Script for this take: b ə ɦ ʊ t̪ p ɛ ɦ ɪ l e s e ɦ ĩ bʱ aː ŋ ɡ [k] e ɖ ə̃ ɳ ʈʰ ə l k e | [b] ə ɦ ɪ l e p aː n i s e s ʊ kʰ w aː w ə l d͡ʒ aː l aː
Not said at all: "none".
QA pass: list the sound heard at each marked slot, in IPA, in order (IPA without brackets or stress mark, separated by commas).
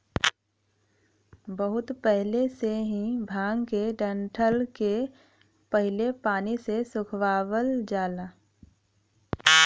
k, p